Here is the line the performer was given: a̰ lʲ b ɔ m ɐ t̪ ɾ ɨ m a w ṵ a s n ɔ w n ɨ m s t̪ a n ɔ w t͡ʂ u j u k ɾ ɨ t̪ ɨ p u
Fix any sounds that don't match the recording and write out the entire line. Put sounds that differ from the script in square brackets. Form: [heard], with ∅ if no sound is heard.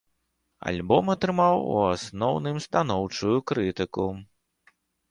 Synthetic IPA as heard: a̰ lʲ b ɔ m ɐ t̪ ɾ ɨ m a w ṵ a s n ɔ w n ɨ m s t̪ a n ɔ w t͡ʂ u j u k ɾ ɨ t̪ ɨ [k] u